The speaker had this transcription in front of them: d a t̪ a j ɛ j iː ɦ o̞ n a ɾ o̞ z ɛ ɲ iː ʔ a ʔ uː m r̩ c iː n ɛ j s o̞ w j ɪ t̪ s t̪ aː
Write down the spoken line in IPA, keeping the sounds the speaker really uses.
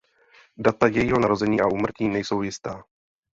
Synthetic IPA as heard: d a t̪ a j ɛ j iː ɦ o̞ n a ɾ o̞ z ɛ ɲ iː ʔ a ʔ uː m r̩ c iː n ɛ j s o̞ w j ɪ s t̪ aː

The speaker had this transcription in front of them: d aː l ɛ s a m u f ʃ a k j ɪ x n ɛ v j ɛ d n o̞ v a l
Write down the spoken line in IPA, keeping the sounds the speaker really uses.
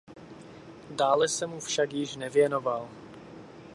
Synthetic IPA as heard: d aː l ɛ s ɛ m u f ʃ a k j ɪ ʃ n ɛ v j ɛ n o̞ v a l

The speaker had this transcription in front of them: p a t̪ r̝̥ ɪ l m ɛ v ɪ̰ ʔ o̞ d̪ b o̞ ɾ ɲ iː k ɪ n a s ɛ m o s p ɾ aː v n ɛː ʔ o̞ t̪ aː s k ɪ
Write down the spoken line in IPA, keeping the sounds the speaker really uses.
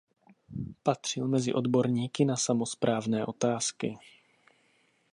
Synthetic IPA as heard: p a t̪ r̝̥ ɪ l m ɛ z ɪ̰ ʔ o̞ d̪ b o̞ ɾ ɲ iː k ɪ n a s a m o s p ɾ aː v n ɛː ʔ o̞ t̪ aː s k ɪ

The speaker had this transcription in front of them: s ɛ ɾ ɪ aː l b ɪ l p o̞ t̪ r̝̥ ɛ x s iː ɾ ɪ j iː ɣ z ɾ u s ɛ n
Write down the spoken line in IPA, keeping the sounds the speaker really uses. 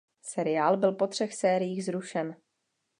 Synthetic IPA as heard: s ɛ ɾ ɪ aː l b ɪ l p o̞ t̪ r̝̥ ɛ x s ɛː ɾ ɪ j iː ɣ z ɾ u ʃ ɛ n

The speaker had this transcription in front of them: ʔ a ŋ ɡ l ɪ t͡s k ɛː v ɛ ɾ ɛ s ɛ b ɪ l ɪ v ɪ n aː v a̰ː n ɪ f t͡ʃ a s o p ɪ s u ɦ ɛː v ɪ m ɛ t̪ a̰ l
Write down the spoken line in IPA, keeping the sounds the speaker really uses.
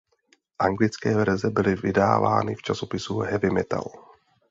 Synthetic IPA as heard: ʔ a ŋ ɡ l ɪ t͡s k ɛː v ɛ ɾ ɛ z ɛ b ɪ l ɪ v ɪ d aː v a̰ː n ɪ f t͡ʃ a s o p ɪ s u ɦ ɛ v ɪ m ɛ t̪ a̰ l

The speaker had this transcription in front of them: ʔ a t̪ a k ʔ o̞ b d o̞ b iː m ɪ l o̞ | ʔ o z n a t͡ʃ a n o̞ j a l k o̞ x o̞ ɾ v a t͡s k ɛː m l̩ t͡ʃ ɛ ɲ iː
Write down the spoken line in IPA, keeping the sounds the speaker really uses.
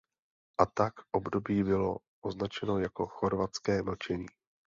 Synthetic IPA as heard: ʔ a t̪ a k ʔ o̞ b d o̞ b iː b ɪ l o̞ | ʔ o z n a t͡ʃ ɛ n o̞ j a k o̞ x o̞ ɾ v a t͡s k ɛː m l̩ t͡ʃ ɛ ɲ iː

